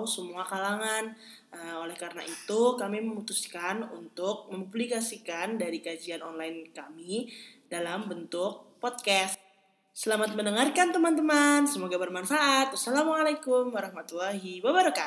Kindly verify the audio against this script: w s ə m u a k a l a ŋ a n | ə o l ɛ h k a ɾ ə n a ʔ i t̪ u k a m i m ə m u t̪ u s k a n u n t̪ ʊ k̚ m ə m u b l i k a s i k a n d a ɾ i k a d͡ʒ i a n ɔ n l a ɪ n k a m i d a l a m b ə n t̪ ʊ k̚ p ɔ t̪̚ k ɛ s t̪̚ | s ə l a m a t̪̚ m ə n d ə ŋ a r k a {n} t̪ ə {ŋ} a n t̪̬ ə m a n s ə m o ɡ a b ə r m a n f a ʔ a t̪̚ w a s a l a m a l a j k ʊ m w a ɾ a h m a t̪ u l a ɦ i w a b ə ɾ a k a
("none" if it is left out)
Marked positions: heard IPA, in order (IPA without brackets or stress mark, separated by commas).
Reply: n, m